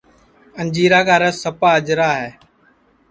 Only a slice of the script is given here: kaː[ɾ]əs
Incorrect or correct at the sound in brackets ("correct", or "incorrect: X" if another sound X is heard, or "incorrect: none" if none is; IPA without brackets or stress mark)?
correct